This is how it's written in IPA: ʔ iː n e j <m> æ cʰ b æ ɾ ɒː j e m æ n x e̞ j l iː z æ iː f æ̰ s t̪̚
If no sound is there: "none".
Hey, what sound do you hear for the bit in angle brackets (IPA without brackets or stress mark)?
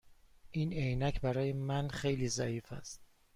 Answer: n